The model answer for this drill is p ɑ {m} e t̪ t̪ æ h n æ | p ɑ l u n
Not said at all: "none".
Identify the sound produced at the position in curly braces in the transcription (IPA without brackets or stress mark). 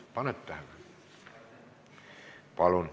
n